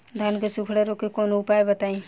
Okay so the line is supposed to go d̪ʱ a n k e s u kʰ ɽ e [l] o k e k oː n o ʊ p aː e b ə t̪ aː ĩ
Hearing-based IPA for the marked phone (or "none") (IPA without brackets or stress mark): ɾ